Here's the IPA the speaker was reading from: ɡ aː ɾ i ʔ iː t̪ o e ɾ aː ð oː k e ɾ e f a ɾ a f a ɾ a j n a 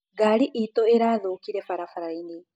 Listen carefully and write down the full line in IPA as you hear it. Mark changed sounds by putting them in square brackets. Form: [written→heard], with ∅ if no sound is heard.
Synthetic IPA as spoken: ɡ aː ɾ i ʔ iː t̪ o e ɾ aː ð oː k [e→i] ɾ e f a ɾ a f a ɾ a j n [a→i]